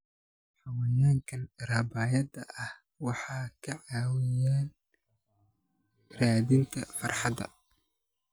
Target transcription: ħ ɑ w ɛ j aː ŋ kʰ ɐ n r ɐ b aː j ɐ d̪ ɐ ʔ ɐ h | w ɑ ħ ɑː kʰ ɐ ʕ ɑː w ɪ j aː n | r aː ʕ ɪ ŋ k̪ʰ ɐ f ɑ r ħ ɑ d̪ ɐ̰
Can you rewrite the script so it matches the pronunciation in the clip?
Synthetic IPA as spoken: ħ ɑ w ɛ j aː ŋ kʰ ɐ n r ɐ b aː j ɐ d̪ ɐ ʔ ɐ h | w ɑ ħ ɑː kʰ ɐ ʕ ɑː w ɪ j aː n | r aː ð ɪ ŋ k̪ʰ ɐ f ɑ r ħ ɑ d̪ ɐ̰